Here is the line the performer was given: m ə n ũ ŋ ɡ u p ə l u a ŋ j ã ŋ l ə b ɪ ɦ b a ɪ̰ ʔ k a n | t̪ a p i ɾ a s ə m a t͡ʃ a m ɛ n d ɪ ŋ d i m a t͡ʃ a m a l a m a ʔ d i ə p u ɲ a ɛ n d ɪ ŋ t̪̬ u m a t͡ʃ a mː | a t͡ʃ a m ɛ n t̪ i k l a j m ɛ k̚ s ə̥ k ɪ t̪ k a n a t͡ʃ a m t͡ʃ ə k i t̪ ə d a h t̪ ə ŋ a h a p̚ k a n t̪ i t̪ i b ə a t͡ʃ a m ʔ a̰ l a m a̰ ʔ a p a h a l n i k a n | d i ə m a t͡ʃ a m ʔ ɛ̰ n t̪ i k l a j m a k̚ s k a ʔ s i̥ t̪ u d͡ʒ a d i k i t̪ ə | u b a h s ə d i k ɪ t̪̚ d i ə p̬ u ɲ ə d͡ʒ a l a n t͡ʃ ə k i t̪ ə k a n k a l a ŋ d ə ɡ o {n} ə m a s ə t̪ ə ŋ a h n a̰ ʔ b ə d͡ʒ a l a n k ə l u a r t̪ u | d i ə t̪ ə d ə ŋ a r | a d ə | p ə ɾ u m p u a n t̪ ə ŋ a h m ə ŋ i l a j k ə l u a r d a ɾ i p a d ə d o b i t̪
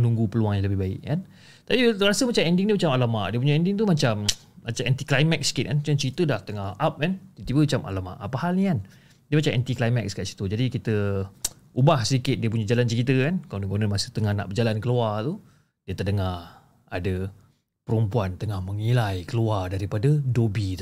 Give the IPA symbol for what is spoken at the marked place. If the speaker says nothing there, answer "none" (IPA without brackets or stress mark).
n